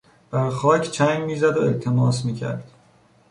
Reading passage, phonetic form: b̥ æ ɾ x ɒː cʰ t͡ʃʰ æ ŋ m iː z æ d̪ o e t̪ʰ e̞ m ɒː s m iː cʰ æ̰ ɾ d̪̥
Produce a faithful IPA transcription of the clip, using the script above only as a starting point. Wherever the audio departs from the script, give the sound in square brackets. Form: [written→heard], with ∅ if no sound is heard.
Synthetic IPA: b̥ æ ɾ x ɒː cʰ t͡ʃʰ æ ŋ m iː z æ d̪ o e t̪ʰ e̞ m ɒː s m iː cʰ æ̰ ɾ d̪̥